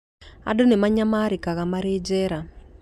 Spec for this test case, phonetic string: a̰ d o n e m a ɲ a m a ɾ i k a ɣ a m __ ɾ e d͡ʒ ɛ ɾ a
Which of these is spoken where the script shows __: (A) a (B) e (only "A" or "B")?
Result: A